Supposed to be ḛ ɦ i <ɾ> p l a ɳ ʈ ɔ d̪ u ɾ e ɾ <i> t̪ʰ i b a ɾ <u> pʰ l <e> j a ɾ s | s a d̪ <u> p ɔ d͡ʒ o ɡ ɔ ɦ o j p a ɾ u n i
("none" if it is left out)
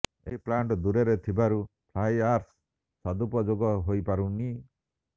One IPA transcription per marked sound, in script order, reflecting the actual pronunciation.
none, e, u, a, u

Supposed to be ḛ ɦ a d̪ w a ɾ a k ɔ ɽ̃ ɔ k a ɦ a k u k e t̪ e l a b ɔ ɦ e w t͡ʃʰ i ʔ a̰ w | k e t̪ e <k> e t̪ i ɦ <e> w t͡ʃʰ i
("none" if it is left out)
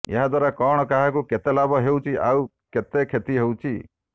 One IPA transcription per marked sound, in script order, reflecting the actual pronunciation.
kʰ, e

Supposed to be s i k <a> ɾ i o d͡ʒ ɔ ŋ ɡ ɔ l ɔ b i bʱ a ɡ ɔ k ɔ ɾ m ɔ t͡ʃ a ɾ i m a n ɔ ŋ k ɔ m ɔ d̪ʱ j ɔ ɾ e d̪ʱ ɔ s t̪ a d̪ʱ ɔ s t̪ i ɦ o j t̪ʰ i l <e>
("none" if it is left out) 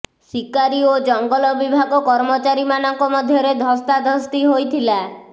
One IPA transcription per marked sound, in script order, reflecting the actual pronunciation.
a, a

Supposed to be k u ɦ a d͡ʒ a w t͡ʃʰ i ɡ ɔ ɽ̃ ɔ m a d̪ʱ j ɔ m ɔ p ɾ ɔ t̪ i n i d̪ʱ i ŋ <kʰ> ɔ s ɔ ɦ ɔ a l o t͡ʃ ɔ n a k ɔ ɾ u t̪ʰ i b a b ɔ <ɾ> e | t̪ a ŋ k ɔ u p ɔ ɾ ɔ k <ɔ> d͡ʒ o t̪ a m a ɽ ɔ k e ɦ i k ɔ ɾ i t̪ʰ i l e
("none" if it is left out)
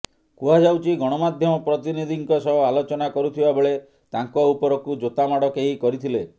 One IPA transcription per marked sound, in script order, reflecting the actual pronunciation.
k, ɭ, u

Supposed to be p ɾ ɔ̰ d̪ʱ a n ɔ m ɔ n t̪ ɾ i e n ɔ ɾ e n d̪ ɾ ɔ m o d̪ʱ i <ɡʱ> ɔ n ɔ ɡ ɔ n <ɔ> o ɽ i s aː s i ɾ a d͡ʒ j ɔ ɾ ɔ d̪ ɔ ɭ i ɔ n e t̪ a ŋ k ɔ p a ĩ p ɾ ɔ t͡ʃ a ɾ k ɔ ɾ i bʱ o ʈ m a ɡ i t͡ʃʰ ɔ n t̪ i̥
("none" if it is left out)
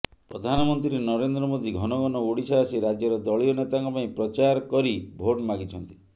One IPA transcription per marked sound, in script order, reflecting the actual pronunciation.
ɡʱ, ɔ

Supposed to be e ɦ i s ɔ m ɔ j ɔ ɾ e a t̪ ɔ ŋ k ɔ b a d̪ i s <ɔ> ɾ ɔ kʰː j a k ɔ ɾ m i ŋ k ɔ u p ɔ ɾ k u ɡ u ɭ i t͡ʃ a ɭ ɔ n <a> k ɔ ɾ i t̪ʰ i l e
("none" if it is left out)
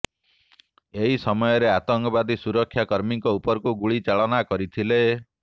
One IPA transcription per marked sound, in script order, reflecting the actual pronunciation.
u, a

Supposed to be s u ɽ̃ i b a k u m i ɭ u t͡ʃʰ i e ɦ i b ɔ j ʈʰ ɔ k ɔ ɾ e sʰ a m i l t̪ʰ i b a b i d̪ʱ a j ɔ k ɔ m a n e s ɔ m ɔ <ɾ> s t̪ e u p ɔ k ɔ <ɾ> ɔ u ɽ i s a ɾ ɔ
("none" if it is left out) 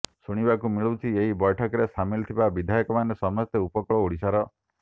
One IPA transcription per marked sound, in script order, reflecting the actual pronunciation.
none, ɭ

